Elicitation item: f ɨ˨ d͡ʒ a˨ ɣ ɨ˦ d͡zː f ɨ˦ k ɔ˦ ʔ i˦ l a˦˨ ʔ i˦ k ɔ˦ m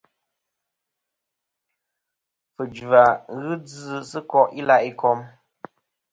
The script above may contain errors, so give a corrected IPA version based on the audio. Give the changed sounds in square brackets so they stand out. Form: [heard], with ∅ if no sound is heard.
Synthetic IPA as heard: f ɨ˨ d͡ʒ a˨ ɣ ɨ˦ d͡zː [s] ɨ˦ k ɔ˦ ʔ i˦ l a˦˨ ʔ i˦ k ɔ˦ m